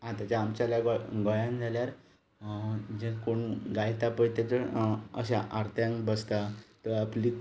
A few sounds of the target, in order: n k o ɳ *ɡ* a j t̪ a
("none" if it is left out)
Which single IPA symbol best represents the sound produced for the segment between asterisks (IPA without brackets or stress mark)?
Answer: ɡ